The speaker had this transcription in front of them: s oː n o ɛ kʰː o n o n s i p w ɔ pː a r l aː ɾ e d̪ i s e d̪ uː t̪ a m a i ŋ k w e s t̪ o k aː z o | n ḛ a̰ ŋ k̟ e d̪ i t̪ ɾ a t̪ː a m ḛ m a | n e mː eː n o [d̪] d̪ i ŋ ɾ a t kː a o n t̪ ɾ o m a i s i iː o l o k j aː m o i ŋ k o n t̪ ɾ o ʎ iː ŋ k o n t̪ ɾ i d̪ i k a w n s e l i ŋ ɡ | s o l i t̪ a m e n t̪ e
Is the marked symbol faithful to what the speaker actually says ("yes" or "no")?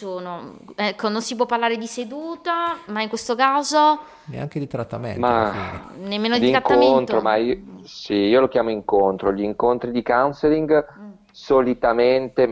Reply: yes